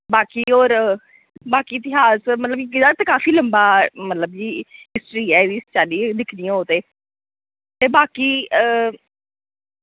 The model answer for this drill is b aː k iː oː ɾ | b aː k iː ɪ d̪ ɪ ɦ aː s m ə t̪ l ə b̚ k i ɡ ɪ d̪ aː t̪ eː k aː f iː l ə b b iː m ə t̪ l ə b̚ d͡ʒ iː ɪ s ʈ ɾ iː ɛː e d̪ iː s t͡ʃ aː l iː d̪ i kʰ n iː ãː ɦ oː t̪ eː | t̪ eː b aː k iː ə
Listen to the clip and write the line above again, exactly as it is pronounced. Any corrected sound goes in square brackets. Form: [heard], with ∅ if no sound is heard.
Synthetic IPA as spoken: b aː k iː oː ɾ | b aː k iː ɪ [t̪] ɪ ɦ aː s m ə t̪ l ə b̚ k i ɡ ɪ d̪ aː t̪ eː k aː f iː l ə [m] b [aː] m ə t̪ l ə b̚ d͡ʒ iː ɪ s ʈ ɾ iː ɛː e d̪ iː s t͡ʃ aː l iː d̪ [ɪ] kʰ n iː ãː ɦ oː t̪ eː | t̪ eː b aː k iː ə

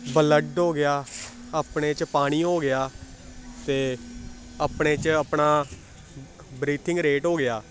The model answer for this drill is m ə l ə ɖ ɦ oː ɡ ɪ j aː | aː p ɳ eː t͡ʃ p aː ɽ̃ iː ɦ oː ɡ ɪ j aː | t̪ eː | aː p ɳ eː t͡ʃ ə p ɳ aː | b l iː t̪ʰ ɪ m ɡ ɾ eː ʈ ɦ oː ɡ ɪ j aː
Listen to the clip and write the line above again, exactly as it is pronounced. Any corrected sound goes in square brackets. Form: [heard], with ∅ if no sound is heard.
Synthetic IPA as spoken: [b] ə l ə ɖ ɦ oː ɡ ɪ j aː | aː p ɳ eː t͡ʃ p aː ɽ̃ iː ɦ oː ɡ ɪ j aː | t̪ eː | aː p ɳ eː t͡ʃ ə p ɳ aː | b [ɾ] iː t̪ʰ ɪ [ŋ] ɡ ɾ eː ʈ ɦ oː ɡ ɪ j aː

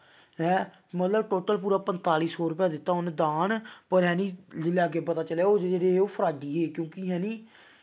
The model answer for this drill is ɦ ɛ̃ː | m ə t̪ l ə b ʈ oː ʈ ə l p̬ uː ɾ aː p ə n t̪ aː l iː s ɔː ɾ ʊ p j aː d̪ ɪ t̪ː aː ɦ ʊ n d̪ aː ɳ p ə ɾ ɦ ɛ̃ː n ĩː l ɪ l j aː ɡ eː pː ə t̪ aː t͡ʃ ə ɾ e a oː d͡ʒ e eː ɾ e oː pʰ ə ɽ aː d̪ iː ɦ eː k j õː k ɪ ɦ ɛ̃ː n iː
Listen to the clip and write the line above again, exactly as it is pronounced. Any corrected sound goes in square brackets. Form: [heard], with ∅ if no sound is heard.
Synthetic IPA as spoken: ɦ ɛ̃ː | m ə t̪ l ə b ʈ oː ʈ ə l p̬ uː ɾ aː p ə n t̪ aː l iː s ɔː ɾ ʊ p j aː d̪ ɪ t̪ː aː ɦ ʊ n d̪ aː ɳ p ə ɾ ɦ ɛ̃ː n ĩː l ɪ l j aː ɡ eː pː ə t̪ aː t͡ʃ ə [l] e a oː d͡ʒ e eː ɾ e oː pʰ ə [ɾ] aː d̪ iː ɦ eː k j õː k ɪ ɦ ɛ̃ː n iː

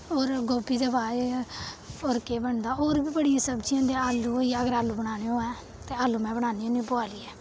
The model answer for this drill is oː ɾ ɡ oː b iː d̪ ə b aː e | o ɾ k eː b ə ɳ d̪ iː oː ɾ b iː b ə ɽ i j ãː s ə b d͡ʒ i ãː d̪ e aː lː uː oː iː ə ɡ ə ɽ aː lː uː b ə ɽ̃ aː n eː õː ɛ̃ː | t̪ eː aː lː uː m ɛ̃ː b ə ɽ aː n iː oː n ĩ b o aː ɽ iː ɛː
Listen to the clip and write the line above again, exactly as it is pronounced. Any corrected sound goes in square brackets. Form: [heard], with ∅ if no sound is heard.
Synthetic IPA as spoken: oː ɾ ɡ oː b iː d̪ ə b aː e | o ɾ k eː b ə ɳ d̪ [aː] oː ɾ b iː b ə ɽ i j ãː s ə b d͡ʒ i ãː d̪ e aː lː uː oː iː ə ɡ ə [ɾ] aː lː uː b ə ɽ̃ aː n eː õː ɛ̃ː | t̪ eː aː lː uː m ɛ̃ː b ə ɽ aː n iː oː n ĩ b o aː [l] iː ɛː

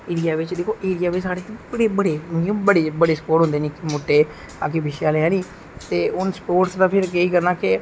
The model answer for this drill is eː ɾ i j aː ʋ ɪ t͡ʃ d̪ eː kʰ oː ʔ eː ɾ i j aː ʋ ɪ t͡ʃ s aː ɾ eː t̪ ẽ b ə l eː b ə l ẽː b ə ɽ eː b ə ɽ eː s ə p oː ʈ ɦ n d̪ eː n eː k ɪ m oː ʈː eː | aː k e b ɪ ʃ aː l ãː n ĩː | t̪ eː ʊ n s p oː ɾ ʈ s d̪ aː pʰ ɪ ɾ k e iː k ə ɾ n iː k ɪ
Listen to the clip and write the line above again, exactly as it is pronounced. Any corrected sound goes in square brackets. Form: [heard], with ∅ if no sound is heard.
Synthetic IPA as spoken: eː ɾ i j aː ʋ ɪ t͡ʃ d̪ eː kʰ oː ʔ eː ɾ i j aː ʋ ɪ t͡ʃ s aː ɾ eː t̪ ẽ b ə [ɽ] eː b ə [ɽ] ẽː b ə ɽ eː b ə ɽ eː s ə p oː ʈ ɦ n d̪ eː n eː k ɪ m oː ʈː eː | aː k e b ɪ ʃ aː l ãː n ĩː | t̪ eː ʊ n s p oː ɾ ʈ s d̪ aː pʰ ɪ ɾ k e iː k ə ɾ n [aː] k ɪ

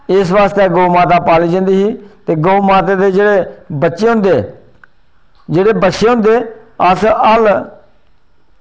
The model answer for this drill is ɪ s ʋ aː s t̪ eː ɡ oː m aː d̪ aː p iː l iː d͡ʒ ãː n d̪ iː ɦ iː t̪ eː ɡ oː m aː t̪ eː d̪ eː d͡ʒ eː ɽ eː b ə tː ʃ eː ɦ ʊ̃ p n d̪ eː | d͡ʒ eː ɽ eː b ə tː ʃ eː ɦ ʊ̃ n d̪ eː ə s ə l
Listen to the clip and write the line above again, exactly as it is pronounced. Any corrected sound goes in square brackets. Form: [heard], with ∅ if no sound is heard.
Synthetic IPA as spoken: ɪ s ʋ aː s t̪ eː ɡ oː m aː [t̪] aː p [aː] l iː d͡ʒ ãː n d̪ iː ɦ iː t̪ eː ɡ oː m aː t̪ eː d̪ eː d͡ʒ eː ɽ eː b ə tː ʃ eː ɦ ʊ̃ [∅] n d̪ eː | d͡ʒ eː ɽ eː b ə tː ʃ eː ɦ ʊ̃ n d̪ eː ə s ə l

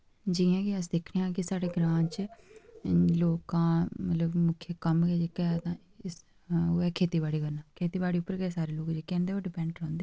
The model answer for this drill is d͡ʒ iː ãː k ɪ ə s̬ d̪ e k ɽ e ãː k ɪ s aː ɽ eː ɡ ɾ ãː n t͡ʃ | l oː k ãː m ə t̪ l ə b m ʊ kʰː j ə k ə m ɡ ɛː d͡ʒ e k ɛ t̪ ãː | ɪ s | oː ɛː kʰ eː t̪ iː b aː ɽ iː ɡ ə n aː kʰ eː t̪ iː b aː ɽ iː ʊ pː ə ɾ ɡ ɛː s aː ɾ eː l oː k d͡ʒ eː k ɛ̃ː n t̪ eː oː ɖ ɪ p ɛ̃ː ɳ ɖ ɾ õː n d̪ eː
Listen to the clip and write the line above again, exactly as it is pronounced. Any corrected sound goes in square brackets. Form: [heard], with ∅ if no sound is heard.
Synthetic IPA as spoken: d͡ʒ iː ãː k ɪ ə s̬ d̪ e [kʰ] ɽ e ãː k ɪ s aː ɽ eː ɡ ɾ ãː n t͡ʃ | l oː k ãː m ə t̪ l ə b m ʊ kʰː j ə k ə m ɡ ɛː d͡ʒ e k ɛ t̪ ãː | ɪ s | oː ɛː kʰ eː t̪ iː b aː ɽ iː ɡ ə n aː kʰ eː t̪ iː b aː ɽ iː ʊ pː ə ɾ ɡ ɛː s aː ɾ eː l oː k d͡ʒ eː k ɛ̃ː n [d̪] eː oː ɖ ɪ p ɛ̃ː ɳ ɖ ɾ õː n d̪ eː

